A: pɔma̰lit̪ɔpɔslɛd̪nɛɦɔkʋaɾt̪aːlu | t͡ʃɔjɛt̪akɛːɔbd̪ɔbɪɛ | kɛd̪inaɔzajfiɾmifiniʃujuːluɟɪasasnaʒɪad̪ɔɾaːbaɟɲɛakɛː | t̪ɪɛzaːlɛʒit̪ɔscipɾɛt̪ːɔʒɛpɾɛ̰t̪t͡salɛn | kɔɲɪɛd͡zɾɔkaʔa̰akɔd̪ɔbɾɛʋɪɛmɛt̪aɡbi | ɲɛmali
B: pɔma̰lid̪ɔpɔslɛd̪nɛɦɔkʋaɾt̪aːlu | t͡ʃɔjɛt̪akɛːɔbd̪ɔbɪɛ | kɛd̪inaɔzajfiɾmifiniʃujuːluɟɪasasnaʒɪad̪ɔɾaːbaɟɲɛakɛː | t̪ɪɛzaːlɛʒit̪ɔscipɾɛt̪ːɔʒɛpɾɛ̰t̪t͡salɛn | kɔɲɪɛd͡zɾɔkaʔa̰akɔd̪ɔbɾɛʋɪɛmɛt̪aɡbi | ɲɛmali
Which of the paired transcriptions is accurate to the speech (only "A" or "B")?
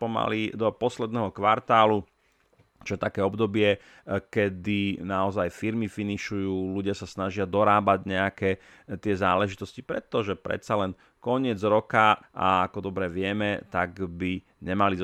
B